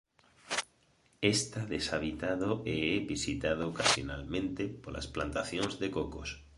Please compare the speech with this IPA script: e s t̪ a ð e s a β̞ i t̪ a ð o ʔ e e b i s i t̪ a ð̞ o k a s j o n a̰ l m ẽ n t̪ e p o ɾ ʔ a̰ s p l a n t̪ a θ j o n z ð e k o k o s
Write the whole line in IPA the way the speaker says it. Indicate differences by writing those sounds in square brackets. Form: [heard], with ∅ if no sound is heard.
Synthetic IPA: e s t̪ a ð e s a β̞ i t̪ a ð o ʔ e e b i s i t̪ a ð̞ o k a s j o n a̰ l m ẽ n t̪ e p o [l] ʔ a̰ s p l a n t̪ a θ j o n z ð e k o k o s